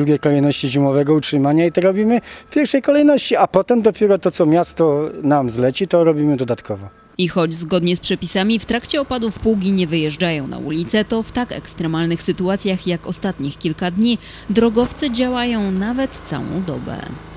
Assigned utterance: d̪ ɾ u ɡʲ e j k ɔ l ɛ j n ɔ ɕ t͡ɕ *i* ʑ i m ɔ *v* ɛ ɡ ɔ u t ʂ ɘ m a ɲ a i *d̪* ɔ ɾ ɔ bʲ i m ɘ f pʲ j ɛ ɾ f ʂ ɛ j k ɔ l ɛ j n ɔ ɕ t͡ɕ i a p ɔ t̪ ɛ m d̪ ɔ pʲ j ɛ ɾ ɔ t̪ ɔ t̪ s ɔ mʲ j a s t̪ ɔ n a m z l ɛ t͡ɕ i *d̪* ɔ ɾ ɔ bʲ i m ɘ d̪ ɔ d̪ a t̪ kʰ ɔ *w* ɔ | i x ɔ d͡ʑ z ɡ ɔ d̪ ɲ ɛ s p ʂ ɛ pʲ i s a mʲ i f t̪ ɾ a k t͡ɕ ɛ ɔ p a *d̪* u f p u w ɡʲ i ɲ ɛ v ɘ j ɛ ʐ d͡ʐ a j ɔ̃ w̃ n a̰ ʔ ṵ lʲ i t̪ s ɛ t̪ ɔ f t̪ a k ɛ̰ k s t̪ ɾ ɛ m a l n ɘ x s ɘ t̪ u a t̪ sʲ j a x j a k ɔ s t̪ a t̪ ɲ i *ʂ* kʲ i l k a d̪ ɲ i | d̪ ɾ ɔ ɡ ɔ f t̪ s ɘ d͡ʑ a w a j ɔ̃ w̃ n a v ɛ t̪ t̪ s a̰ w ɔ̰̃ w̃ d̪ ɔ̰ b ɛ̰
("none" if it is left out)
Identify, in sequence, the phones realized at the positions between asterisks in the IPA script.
i, v, t̪, t̪, v, d̪, x

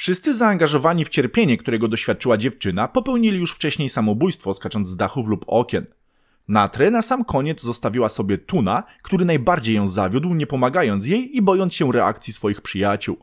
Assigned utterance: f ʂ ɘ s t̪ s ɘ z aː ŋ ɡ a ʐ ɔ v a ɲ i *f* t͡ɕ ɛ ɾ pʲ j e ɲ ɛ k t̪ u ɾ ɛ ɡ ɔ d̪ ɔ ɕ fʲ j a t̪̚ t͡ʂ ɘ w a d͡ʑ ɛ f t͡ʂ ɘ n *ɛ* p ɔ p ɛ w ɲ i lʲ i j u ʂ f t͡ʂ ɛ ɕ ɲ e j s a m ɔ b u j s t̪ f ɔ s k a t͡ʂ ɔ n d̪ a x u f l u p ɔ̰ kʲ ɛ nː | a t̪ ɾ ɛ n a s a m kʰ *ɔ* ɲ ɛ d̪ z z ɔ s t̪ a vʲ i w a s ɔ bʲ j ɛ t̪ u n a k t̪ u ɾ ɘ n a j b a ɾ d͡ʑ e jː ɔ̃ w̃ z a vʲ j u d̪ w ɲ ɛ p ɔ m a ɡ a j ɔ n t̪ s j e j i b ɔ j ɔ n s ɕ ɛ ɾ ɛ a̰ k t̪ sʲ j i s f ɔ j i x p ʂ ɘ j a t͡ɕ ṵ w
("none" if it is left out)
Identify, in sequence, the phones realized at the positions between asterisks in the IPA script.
f, a, ɔ

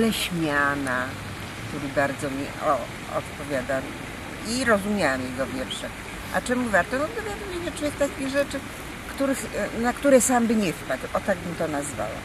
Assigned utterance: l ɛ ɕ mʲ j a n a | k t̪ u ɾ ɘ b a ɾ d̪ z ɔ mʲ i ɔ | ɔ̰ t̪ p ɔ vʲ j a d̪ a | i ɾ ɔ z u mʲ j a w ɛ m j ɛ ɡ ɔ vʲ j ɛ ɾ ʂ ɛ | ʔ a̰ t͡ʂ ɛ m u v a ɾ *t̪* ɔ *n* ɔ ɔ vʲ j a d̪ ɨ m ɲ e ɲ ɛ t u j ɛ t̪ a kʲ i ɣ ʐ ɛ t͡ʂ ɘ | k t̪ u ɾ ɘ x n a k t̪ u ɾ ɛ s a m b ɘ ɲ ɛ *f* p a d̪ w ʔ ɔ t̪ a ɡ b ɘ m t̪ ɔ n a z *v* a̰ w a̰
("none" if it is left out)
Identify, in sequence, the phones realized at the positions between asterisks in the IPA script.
t̪, n, f, v

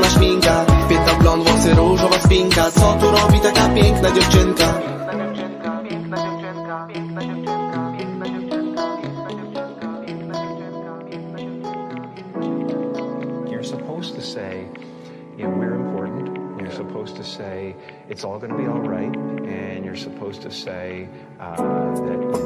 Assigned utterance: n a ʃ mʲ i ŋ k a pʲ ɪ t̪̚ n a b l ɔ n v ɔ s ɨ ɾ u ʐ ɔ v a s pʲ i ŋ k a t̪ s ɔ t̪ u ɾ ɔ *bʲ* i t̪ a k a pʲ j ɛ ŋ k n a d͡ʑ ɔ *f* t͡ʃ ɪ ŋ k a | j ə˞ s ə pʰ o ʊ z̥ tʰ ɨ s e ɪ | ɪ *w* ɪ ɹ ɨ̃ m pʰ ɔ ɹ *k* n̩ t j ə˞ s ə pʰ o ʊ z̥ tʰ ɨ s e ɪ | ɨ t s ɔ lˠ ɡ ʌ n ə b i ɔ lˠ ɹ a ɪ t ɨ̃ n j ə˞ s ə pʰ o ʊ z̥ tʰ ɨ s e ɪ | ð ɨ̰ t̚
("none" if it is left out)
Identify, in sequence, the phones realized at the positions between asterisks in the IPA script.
bʲ, f, w, ʔ

